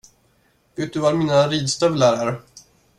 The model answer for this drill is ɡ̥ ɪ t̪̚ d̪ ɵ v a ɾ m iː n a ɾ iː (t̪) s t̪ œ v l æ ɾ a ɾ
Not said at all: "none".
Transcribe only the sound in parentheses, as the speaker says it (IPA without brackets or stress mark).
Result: d̪